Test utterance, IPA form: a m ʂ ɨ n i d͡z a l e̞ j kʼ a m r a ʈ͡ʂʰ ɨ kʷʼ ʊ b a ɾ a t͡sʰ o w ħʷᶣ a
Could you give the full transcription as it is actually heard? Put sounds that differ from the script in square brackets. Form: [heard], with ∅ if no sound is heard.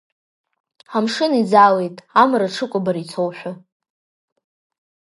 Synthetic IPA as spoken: a m ʂ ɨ n i d͡z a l e̞ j [tʼ] a m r a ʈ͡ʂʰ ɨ kʷʼ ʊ b a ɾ [i] t͡sʰ o w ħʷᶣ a